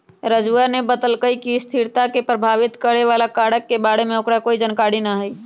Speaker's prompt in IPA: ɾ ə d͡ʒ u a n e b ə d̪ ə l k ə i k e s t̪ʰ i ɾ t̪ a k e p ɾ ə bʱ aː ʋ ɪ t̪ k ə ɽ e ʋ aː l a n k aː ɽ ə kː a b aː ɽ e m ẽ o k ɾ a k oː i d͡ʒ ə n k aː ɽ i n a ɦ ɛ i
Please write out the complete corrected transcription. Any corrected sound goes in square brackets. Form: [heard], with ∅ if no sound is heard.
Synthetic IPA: ɾ ə d͡ʒ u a n e b ə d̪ ə l k ə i k [i] s t̪ʰ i ɾ t̪ a k e p ɾ ə bʱ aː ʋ ɪ t̪ k ə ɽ e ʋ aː l a [∅] k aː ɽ ə kː [e] b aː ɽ e m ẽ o k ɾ a k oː i d͡ʒ ə n k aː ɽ i n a ɦ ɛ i